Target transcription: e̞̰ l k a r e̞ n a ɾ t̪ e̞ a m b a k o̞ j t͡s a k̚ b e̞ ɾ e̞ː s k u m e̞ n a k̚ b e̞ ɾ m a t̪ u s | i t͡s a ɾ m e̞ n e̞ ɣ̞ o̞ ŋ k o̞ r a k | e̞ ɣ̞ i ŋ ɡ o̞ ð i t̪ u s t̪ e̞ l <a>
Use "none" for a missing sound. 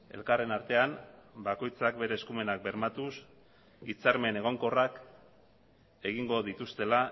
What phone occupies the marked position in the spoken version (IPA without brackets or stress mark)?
a